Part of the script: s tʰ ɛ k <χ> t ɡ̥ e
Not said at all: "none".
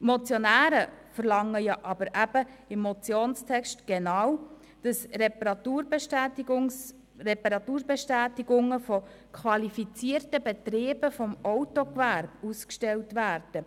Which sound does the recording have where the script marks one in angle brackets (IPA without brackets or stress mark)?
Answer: ʃ